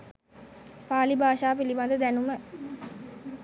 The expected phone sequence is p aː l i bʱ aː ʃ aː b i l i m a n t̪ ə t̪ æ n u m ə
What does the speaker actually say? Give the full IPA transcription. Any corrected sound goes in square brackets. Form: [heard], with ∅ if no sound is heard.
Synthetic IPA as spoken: p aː l i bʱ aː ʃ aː [p] i l i [b] a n [d̪] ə [d̪] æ n u m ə